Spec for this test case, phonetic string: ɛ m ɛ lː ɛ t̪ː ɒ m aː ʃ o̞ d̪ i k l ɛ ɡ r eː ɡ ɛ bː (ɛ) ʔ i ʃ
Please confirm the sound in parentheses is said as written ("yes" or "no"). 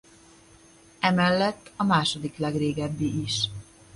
no